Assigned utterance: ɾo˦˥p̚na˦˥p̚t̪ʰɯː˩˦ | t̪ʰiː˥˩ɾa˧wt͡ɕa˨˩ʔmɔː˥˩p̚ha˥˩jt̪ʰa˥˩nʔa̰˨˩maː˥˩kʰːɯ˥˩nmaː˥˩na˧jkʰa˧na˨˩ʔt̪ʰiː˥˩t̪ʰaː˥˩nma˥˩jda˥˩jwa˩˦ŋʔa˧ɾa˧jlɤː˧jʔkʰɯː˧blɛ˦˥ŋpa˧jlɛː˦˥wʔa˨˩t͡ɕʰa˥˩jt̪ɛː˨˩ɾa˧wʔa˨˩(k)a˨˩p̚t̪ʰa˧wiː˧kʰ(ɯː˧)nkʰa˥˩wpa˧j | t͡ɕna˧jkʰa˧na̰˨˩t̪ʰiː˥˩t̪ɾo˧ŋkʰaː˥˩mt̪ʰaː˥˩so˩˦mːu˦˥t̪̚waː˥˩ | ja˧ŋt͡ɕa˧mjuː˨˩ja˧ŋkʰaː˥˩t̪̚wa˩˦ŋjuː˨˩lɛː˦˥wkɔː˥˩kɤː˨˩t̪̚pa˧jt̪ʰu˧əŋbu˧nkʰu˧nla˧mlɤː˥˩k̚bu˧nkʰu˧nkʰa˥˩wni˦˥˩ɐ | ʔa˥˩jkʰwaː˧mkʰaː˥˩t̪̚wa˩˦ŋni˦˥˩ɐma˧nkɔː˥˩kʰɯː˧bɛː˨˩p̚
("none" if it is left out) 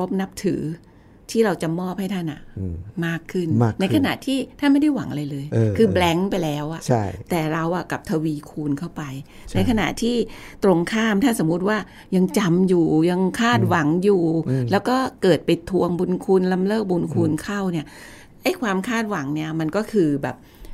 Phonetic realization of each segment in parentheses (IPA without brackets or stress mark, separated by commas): k, uː˧